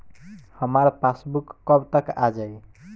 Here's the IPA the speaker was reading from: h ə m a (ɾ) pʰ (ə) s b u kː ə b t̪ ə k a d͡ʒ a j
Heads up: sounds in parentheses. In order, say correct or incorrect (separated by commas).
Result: correct, incorrect